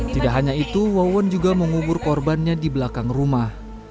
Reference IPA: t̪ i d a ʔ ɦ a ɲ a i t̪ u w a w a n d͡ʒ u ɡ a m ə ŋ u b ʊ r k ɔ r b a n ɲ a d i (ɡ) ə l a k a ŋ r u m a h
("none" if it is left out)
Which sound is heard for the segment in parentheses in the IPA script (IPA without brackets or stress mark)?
b